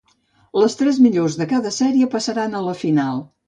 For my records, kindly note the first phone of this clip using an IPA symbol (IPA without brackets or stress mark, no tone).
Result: l